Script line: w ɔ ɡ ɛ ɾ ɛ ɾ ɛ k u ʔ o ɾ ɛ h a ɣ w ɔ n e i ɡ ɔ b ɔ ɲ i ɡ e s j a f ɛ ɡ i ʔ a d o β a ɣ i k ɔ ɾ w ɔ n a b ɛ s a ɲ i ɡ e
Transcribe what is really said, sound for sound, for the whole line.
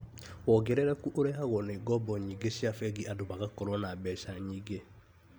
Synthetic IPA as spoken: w ɔ ɡ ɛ ɾ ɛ ɾ ɛ k u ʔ o ɾ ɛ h a ɣ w ɔ n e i ɡ ɔ b ɔ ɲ i ɡ e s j a f ɛ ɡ i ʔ a d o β a ɣ a k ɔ ɾ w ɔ n a b ɛ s a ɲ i ɡ e